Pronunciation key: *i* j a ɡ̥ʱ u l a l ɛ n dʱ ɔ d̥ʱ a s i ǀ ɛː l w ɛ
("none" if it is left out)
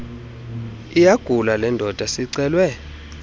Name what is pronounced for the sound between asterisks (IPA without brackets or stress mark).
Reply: i